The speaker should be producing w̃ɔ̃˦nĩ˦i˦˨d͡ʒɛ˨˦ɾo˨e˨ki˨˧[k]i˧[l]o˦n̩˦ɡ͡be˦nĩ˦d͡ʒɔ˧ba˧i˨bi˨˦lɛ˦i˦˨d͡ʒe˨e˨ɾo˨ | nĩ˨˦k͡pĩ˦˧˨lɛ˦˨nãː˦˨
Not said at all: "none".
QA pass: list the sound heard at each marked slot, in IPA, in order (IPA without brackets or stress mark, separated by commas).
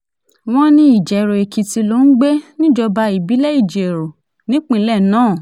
t, l